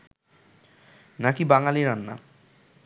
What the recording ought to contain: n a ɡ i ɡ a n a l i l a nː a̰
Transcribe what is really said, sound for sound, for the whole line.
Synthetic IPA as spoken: n a k i b a ŋ a l i ɾ a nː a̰